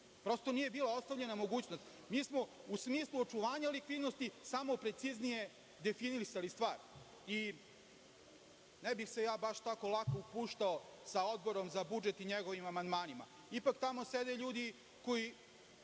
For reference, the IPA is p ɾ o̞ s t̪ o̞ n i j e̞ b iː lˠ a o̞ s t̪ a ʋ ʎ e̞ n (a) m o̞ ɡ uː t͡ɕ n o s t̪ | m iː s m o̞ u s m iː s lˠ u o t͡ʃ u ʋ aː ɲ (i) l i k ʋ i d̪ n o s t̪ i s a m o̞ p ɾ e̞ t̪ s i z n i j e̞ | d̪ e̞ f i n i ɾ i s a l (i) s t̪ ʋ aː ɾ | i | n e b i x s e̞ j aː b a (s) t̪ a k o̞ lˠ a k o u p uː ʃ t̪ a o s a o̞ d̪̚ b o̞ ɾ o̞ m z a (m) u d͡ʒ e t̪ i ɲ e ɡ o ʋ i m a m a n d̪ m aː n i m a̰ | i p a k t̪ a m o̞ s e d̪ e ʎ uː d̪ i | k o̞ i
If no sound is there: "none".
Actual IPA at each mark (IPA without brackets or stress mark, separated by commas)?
a, a, i, ʃ, b